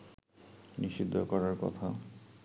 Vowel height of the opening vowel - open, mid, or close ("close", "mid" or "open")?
close